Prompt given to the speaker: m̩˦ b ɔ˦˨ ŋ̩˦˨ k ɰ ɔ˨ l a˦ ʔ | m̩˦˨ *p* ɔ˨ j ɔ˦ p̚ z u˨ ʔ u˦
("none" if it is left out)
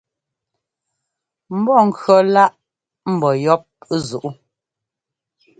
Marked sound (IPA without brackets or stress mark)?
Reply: b